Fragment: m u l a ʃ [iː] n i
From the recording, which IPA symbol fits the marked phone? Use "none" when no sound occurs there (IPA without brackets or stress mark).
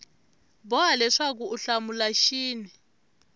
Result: iː